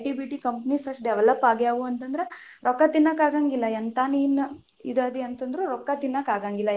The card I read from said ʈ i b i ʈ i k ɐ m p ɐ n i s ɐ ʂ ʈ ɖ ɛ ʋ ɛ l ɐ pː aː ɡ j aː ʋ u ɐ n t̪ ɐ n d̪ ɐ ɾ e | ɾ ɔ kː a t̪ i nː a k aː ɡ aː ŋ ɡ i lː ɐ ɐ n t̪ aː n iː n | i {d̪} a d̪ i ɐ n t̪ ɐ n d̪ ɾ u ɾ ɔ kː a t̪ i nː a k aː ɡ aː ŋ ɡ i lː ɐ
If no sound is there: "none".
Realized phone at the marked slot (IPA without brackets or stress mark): d̪